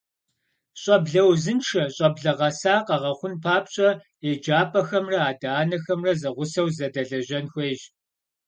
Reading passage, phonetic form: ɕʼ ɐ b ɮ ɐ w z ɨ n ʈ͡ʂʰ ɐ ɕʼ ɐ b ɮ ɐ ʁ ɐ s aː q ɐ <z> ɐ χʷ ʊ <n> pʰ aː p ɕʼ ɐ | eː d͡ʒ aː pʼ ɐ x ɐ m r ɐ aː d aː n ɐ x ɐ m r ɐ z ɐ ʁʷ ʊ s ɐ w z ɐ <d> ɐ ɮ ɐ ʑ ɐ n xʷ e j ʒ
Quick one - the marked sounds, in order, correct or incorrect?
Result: incorrect: ʁ, correct, correct

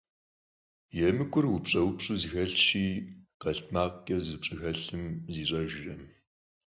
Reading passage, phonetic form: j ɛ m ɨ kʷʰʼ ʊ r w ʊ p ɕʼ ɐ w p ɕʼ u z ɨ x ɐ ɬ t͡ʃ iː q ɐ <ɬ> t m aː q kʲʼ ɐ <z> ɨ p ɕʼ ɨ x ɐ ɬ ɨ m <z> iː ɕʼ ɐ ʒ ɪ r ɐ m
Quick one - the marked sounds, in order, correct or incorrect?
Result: correct, correct, correct

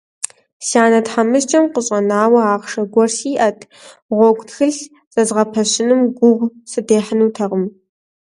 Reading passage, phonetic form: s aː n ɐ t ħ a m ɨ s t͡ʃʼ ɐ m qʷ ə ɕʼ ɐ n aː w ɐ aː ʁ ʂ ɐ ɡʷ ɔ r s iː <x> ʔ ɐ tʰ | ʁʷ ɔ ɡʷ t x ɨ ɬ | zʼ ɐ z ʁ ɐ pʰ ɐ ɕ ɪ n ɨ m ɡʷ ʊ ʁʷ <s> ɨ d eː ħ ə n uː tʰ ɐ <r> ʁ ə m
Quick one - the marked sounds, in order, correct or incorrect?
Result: incorrect: none, correct, incorrect: none

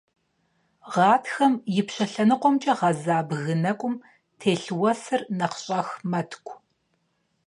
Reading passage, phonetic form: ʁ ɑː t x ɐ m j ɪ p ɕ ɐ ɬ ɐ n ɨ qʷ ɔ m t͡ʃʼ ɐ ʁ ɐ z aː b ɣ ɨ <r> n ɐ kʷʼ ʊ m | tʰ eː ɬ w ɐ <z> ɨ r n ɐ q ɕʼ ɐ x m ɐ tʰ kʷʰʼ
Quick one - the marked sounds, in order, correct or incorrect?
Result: incorrect: none, incorrect: s

